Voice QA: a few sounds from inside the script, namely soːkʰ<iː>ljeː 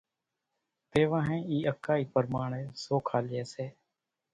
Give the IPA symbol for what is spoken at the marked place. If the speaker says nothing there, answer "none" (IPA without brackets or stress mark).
aː